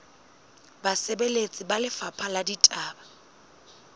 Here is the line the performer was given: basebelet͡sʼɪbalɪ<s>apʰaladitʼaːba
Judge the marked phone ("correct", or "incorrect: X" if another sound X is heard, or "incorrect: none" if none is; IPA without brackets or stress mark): incorrect: f